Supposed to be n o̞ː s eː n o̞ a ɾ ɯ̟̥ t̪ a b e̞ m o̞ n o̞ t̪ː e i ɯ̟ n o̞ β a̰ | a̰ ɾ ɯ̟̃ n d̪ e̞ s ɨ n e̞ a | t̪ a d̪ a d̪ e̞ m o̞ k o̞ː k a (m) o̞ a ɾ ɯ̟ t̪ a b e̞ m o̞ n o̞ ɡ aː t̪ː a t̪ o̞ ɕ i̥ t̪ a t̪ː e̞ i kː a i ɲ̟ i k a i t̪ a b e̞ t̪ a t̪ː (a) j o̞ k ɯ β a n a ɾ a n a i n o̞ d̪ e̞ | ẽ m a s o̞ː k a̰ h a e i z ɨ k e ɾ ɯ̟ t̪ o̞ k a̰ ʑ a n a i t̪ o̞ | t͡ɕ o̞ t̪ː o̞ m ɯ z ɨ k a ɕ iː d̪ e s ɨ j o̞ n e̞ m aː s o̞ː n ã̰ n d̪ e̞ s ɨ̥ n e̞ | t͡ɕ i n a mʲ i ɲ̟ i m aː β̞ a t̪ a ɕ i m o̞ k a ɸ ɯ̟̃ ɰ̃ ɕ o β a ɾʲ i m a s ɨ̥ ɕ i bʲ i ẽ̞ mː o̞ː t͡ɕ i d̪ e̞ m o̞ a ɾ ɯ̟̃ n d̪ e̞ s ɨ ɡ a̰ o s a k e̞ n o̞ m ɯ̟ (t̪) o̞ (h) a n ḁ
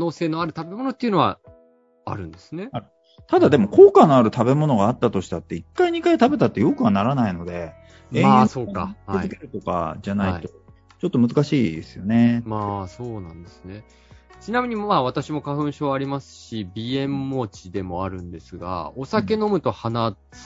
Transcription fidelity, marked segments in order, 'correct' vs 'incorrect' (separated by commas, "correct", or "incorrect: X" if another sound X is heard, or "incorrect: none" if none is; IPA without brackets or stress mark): incorrect: n, incorrect: e, correct, correct